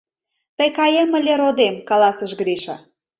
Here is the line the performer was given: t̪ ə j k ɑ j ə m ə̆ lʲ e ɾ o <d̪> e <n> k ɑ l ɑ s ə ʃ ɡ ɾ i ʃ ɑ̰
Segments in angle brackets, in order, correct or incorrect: correct, incorrect: m

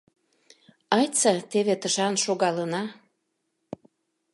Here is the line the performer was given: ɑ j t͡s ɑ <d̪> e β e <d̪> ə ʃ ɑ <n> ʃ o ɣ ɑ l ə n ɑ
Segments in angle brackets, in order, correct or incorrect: incorrect: t̪, incorrect: t̪, correct

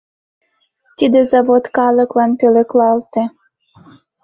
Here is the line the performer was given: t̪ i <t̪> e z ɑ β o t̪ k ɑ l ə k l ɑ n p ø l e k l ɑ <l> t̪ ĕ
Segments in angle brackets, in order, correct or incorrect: incorrect: d̪, correct

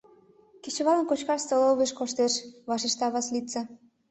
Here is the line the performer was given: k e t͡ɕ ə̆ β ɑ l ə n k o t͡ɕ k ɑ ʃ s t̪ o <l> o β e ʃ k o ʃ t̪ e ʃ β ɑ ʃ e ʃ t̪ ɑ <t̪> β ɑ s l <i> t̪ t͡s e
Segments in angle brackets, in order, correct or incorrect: correct, incorrect: none, correct

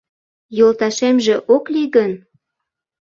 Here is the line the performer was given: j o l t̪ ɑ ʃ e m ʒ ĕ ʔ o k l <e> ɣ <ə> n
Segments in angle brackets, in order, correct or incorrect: incorrect: i, correct

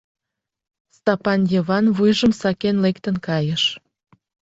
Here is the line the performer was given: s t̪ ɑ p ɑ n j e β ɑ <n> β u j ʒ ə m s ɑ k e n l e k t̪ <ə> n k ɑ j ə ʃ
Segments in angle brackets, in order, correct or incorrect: correct, correct

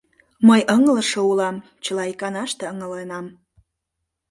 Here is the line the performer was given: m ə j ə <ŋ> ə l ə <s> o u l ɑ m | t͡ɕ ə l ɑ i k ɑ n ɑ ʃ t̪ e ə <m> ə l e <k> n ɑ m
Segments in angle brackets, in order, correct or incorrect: correct, incorrect: ʃ, incorrect: ŋ, incorrect: none

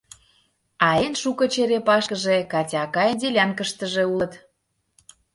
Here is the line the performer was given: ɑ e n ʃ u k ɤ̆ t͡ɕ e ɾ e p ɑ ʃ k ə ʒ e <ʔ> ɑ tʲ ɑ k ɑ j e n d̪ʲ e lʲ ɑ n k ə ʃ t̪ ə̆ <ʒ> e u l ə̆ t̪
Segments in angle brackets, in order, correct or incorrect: incorrect: k, correct

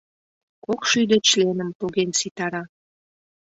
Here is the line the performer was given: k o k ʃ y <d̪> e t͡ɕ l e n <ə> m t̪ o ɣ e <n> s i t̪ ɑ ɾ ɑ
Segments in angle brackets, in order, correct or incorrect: correct, correct, correct

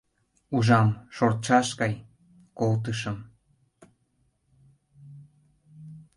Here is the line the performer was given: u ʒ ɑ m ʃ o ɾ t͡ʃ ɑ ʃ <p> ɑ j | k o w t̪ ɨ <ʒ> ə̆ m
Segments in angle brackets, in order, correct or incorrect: incorrect: k, incorrect: ʃ

